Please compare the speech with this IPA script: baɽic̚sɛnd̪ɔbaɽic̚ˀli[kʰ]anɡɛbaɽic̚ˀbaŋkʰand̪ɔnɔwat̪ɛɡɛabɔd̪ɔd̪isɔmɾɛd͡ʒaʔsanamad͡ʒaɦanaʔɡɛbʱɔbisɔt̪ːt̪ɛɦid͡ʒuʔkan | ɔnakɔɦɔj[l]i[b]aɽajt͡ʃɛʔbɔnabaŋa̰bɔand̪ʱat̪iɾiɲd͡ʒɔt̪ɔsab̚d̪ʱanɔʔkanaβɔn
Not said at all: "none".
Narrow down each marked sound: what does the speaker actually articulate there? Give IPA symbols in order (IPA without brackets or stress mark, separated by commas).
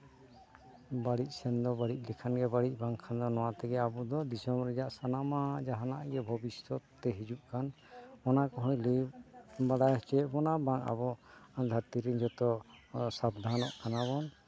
kʰ, l, b